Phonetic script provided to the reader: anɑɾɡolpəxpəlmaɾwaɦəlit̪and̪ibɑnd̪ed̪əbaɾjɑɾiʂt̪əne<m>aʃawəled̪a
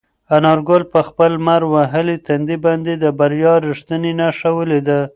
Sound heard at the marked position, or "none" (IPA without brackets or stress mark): n